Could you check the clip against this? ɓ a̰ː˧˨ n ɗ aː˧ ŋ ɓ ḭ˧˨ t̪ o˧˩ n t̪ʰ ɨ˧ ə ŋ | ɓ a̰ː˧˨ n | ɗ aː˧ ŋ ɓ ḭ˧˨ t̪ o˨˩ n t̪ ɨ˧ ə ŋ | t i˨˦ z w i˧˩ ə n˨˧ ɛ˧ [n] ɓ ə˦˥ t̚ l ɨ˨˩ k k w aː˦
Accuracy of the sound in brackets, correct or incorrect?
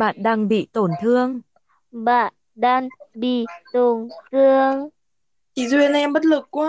incorrect